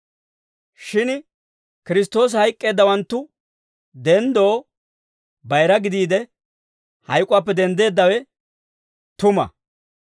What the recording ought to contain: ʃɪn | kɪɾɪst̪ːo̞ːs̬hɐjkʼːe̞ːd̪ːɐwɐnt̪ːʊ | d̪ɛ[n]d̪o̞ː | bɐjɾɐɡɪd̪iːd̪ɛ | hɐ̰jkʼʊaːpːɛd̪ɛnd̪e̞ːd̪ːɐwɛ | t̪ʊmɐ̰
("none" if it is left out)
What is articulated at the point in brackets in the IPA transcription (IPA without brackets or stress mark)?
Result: n